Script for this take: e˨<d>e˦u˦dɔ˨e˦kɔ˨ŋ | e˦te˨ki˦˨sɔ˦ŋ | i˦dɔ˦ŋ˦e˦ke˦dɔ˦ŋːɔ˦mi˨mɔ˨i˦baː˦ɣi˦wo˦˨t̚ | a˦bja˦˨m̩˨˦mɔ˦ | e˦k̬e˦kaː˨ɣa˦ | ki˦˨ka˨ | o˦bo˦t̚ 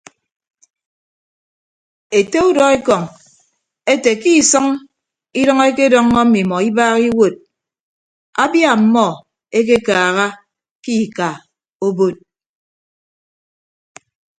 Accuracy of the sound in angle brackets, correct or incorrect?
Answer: incorrect: t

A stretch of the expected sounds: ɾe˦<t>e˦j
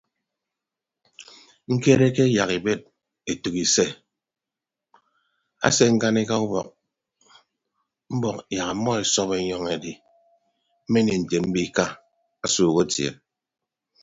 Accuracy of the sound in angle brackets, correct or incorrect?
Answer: incorrect: k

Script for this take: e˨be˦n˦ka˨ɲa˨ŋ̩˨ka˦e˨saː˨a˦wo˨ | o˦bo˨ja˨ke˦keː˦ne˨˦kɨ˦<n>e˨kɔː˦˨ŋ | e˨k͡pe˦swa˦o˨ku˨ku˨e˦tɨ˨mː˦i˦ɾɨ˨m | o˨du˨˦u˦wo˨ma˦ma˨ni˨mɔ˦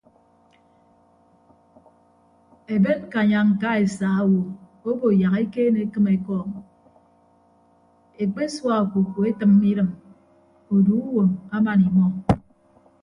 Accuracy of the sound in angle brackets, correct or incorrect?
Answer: incorrect: m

